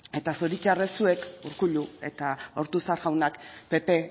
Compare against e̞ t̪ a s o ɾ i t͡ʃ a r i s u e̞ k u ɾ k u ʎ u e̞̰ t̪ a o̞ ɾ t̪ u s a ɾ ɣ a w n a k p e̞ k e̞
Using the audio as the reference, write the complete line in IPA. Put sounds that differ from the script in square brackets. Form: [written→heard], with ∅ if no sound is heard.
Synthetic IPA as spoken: e̞ t̪ a s o ɾ i t͡ʃ a r [i→e] s u e̞ k u ɾ k u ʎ u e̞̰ t̪ a o̞ ɾ t̪ u s a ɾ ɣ a w n a k p e̞ [k→p] e̞